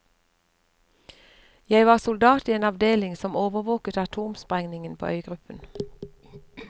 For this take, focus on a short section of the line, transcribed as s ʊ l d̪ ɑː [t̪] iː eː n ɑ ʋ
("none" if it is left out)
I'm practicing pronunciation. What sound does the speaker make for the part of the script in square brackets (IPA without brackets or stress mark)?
t̪